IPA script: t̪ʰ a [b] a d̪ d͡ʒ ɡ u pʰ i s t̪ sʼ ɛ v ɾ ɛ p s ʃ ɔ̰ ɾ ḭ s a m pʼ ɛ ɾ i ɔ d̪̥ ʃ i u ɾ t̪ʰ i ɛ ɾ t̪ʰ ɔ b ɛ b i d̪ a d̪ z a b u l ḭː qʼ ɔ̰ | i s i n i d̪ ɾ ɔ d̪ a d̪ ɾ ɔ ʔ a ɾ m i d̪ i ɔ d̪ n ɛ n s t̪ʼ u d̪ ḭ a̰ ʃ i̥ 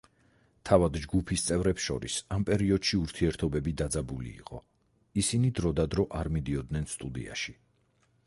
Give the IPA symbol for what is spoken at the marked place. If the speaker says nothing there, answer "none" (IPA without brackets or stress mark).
v